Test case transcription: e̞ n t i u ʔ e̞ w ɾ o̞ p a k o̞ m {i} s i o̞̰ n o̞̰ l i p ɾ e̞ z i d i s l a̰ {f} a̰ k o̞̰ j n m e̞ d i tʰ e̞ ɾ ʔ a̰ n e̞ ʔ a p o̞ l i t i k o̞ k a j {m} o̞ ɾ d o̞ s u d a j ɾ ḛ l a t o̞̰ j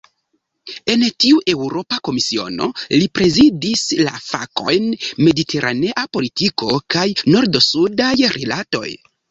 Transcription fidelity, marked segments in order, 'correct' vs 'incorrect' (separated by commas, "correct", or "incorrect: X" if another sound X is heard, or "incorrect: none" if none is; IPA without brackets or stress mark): correct, correct, incorrect: n